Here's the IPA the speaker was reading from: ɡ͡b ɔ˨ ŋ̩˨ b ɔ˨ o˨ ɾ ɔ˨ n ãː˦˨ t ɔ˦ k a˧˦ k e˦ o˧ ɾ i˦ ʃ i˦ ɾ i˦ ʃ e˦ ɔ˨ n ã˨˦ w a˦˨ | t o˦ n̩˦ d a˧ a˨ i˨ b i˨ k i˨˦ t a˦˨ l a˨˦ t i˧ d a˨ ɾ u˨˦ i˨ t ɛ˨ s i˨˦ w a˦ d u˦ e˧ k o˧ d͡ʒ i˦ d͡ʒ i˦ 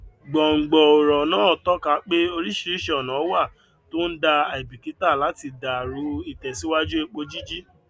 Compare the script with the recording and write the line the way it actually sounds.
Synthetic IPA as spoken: ɡ͡b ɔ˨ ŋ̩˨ ɡ͡b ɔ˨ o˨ ɾ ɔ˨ n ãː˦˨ t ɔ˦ k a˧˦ k͡p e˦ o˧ ɾ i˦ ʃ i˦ ɾ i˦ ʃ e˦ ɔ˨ n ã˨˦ w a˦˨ | t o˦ n̩˦ d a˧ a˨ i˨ b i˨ k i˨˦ t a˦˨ l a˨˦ t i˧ d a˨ ɾ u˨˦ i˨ t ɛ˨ s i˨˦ w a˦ d͡ʒ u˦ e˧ k͡p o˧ d͡ʒ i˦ d͡ʒ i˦

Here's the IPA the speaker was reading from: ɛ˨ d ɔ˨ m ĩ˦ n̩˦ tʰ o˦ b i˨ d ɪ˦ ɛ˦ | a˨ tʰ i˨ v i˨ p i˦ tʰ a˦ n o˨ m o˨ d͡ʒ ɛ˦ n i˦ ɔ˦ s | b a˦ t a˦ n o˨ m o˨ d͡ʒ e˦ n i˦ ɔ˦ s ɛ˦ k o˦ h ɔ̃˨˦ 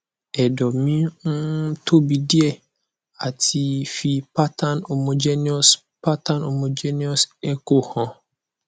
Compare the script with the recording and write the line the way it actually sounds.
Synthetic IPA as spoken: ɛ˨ d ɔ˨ m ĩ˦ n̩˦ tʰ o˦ b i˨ d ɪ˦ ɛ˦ | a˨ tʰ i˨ f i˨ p a˦ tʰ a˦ n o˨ m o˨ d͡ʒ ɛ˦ n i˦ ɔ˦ s | p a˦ t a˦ n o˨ m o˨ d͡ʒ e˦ n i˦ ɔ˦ s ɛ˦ k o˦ h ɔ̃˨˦

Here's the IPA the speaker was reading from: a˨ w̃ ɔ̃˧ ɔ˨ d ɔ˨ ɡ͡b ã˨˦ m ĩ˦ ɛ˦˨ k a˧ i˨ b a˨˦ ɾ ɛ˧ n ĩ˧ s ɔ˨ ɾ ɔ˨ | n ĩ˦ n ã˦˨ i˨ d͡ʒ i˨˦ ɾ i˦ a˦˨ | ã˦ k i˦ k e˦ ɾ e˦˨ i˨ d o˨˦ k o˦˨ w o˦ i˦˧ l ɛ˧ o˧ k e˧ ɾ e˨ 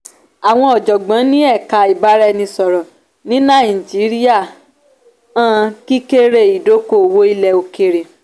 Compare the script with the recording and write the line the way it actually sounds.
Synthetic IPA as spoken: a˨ w̃ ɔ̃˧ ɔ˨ d͡ʒ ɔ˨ ɡ͡b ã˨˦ n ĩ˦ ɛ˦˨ k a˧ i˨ b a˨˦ ɾ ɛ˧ n ĩ˧ s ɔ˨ ɾ ɔ˨ | n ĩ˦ n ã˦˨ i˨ d͡ʒ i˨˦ ɾ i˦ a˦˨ | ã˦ k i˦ k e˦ ɾ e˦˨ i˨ d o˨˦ k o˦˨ w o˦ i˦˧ l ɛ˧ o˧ k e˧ ɾ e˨

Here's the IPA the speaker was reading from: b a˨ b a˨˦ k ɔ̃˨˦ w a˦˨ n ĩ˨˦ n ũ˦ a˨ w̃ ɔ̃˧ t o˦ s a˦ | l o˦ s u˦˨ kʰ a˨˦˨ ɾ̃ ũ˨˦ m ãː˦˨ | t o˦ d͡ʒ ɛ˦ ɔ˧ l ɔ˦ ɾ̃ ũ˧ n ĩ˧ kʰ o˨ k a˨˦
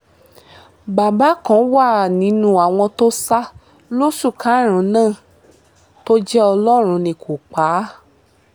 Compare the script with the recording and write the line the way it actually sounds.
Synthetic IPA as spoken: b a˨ b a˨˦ k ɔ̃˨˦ w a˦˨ n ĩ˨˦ n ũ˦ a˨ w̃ ɔ̃˧ t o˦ s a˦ | l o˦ s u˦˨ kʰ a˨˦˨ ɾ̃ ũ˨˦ n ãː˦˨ | t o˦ d͡ʒ ɛ˦ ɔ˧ l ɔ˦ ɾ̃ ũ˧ n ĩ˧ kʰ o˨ k͡p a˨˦

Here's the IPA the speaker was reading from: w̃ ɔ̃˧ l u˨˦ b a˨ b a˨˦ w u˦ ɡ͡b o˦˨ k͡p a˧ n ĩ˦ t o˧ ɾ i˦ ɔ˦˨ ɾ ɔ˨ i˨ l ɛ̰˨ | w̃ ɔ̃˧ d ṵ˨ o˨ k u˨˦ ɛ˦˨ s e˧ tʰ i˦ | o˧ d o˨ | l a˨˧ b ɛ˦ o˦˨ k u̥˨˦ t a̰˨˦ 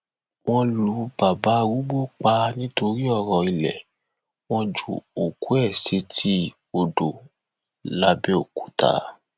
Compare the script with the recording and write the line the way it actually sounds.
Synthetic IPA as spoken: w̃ ɔ̃˧ l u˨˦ b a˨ b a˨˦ w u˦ ɡ͡b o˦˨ k͡p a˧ n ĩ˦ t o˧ ɾ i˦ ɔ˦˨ ɾ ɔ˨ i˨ l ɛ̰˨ | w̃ ɔ̃˧ d͡ʒ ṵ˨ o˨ k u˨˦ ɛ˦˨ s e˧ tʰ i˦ | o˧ d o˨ | l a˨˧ b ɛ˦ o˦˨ k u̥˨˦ t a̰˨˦

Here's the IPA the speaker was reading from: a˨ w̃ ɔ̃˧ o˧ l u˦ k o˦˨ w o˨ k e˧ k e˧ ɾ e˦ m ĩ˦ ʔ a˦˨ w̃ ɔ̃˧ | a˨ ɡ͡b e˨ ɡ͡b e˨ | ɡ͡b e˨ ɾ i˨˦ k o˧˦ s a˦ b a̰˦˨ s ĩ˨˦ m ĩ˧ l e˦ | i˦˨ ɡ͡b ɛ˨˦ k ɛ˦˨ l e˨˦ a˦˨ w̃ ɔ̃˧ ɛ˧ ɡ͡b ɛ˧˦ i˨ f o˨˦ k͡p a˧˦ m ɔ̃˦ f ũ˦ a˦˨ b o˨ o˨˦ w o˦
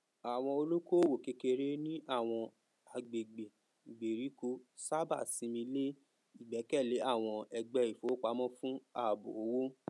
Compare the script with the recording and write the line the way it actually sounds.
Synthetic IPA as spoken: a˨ w̃ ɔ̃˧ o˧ l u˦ k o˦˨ w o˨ k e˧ k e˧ ɾ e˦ n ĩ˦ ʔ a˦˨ w̃ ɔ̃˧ | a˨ ɡ͡b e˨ ɡ͡b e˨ | ɡ͡b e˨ ɾ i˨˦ k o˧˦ s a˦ b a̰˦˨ s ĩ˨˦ m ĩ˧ l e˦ | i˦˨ ɡ͡b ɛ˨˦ k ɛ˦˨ l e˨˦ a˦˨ w̃ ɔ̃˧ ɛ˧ ɡ͡b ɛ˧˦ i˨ f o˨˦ k͡p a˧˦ m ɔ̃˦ f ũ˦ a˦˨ b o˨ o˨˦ w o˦

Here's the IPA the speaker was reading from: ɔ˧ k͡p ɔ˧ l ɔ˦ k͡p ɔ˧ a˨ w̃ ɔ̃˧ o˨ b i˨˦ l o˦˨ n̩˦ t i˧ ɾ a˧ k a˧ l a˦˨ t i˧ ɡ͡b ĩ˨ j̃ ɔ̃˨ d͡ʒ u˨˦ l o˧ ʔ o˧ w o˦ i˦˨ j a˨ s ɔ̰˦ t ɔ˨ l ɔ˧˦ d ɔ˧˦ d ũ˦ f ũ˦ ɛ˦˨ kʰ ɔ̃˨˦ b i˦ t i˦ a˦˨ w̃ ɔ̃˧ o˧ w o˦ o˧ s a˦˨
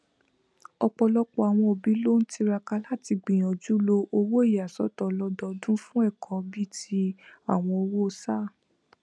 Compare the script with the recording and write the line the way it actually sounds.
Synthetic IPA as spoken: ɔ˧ k͡p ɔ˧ l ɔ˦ k͡p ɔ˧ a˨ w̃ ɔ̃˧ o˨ b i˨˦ l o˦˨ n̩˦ t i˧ ɾ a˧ k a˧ l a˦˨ t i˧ ɡ͡b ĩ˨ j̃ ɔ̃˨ d͡ʒ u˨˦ l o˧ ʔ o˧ w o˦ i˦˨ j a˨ s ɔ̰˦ t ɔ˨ l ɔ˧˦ d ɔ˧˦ d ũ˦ f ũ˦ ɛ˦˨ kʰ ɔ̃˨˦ b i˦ t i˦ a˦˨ w̃ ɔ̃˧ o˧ w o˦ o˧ s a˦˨

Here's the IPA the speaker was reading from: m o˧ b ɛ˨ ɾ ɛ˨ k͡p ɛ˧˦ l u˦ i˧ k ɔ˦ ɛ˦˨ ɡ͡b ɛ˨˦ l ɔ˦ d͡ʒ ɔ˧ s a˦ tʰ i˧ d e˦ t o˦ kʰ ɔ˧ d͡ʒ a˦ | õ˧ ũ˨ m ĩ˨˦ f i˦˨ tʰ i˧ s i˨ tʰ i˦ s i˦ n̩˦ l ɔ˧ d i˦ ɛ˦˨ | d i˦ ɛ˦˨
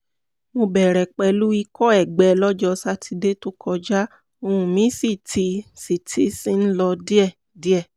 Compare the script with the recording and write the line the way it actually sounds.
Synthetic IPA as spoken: m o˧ b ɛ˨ ɾ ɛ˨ k͡p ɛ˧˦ l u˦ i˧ k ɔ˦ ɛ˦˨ ɡ͡b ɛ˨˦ l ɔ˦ d͡ʒ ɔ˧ s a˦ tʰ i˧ d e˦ t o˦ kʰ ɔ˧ d͡ʒ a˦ | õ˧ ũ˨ m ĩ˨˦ s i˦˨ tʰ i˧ s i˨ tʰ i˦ s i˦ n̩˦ l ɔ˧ d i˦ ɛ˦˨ | d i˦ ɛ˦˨

